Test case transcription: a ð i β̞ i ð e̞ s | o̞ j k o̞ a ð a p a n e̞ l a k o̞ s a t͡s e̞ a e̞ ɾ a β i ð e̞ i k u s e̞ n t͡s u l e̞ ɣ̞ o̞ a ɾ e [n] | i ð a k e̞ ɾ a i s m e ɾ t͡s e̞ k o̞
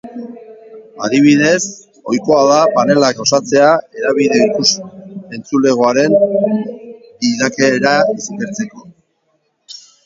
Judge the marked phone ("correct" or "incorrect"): correct